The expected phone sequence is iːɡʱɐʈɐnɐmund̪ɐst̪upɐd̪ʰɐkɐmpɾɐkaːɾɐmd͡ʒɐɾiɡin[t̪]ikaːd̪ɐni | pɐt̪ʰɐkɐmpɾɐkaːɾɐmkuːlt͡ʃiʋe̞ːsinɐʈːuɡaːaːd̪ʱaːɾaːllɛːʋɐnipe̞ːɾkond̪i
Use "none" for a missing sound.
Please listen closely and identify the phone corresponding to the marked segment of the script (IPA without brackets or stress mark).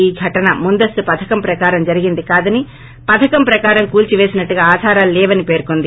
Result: d̪